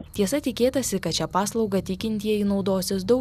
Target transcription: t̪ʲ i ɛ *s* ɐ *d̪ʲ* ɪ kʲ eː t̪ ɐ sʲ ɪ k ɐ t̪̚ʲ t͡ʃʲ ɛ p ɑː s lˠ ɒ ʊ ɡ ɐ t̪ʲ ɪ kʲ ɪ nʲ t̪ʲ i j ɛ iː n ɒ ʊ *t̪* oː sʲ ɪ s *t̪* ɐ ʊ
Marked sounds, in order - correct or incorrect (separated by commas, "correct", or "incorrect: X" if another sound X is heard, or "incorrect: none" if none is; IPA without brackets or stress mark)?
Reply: correct, incorrect: t̪ʲ, incorrect: d̪, incorrect: d̪